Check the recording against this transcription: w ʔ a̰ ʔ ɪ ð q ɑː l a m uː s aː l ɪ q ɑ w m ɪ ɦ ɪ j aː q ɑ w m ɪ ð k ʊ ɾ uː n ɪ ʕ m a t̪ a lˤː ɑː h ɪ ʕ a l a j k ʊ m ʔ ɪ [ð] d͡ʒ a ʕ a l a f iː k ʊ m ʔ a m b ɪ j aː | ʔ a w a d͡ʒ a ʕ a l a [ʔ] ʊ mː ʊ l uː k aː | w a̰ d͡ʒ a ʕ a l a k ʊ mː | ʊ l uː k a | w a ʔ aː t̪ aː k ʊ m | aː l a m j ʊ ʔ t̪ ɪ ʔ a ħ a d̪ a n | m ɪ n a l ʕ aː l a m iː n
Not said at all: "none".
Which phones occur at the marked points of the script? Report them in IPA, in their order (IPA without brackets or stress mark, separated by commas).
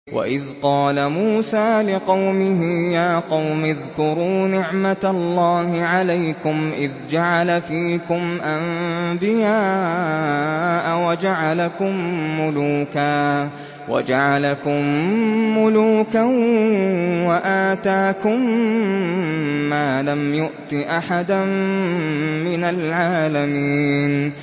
ð, k